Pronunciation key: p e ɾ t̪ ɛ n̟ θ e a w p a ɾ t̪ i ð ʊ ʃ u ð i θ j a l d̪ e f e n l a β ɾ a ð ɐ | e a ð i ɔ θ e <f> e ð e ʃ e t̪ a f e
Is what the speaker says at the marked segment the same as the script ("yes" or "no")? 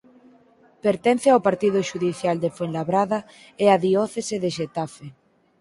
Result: no